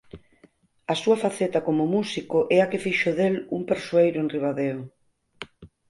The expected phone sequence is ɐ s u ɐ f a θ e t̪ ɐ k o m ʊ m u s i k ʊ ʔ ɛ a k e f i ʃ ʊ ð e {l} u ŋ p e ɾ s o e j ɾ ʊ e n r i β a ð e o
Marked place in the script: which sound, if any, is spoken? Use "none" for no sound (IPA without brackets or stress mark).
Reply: l